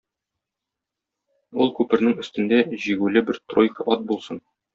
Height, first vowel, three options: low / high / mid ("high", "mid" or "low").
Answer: high